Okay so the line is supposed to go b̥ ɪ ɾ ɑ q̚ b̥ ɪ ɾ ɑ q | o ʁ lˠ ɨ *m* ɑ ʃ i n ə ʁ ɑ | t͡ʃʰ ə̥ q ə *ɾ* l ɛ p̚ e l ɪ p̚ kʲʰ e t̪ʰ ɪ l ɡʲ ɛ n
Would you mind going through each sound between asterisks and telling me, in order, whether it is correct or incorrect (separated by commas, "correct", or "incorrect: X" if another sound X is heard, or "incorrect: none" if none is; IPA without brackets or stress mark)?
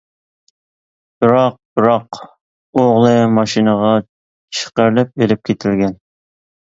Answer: correct, correct